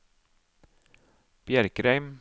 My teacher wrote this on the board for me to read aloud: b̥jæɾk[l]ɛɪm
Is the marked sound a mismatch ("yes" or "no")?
yes